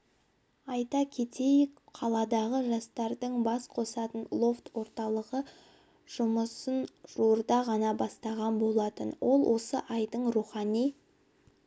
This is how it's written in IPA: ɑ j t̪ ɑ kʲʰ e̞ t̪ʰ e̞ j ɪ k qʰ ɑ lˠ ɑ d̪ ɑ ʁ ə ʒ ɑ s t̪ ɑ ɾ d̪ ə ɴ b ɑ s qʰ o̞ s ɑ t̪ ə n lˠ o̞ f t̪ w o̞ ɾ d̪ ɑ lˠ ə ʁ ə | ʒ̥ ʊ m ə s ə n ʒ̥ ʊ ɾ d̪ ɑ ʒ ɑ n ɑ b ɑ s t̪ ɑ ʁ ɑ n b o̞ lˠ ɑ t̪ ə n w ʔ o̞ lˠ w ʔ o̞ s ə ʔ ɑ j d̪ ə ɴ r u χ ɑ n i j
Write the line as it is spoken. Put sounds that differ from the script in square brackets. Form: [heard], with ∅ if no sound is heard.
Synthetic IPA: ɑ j t̪ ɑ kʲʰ e̞ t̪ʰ e̞ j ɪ k qʰ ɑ lˠ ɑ d̪ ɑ ʁ ə ʒ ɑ s t̪ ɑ ɾ d̪ ə ɴ b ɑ s qʰ o̞ s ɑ t̪ ə n lˠ o̞ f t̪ w o̞ ɾ [t̪] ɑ lˠ ə ʁ ə | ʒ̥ ʊ m ə s ə n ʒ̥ [u] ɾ d̪ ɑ [ʁ] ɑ n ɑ b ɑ s t̪ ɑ ʁ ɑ n b o̞ lˠ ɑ t̪ ə n w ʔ o̞ lˠ w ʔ o̞ s ə ʔ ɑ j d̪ ə ɴ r u χ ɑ n i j